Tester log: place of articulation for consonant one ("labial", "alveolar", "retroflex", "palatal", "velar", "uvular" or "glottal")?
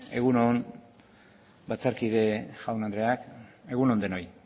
velar